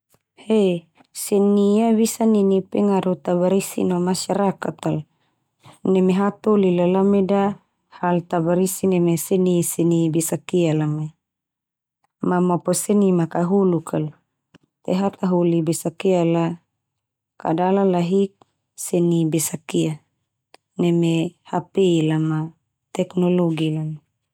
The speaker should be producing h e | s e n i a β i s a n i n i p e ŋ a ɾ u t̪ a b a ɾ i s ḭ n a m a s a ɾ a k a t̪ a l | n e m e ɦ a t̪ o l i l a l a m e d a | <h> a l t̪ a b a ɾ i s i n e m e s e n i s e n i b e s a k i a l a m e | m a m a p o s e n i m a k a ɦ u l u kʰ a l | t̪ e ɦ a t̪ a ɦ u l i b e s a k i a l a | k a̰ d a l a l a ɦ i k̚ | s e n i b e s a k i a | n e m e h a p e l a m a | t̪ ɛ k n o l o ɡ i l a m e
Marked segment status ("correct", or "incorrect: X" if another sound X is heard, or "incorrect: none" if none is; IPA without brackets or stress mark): correct